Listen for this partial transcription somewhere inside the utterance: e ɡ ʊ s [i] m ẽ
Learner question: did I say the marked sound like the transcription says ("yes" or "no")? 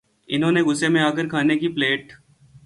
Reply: no